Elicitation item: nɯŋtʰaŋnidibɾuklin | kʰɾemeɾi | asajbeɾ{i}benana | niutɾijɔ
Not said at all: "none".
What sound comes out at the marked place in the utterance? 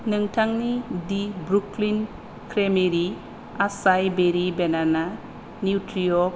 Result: i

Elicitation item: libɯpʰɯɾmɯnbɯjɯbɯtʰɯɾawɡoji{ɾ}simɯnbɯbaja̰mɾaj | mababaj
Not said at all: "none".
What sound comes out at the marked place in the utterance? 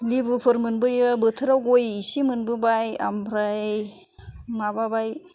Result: none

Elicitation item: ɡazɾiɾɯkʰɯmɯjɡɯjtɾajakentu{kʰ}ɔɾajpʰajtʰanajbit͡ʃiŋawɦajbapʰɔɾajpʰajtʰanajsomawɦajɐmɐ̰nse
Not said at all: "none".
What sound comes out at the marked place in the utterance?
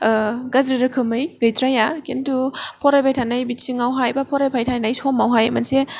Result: pʰ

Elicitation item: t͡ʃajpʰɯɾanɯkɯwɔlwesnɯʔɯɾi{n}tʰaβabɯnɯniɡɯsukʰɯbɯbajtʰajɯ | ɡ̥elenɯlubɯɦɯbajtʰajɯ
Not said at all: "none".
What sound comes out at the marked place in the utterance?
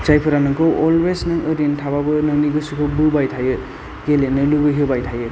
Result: n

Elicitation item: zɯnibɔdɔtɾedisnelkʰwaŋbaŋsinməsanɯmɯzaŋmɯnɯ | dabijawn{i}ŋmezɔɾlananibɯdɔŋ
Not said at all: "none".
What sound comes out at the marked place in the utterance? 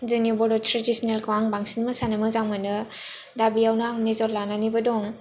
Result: a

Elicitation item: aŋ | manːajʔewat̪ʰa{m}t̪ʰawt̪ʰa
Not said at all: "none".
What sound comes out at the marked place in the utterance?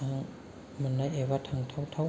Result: ŋ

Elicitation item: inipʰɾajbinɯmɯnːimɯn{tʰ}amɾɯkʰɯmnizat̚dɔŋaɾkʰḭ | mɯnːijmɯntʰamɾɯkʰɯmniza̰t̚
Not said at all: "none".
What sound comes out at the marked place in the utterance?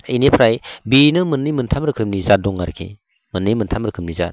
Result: tʰ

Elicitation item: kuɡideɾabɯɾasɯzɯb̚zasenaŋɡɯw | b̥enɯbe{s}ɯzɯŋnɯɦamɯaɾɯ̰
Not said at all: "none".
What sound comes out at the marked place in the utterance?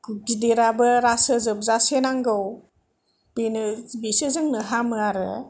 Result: s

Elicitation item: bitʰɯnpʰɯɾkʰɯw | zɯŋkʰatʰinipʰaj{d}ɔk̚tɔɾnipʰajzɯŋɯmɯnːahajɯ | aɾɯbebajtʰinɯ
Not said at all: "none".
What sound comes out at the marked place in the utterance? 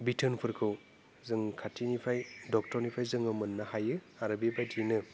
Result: d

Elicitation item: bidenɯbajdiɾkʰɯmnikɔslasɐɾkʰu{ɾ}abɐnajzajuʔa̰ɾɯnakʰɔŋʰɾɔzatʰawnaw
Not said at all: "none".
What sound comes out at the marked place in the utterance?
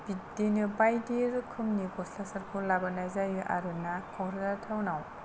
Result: l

